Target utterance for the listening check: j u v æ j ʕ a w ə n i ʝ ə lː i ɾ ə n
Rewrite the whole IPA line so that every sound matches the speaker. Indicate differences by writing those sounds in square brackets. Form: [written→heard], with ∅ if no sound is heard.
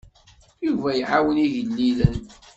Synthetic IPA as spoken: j u v æ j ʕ a w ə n i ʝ ə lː i [ɾ→l] ə n